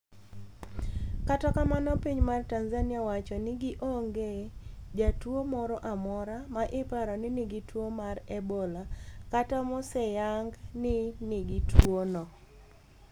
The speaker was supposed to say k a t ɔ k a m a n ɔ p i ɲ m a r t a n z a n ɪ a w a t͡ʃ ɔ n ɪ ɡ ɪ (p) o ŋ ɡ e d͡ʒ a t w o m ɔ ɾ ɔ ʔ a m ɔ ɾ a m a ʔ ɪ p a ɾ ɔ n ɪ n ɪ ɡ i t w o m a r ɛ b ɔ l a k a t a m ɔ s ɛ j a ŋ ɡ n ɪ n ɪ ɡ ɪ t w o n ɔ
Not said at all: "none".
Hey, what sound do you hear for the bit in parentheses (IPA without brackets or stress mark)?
ʔ